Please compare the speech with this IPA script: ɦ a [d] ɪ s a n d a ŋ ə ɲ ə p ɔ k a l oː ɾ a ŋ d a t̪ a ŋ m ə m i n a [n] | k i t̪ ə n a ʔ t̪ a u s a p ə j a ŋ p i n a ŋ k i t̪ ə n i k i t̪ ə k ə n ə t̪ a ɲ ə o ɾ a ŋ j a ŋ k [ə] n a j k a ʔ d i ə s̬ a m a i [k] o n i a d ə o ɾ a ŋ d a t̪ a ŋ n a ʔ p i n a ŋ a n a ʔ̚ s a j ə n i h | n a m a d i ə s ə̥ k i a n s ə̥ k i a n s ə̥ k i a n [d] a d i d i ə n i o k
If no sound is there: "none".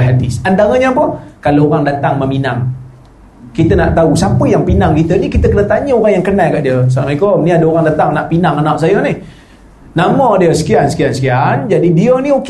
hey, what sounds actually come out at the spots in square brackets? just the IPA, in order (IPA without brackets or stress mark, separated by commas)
d, ŋ, ə, k, d͡ʒ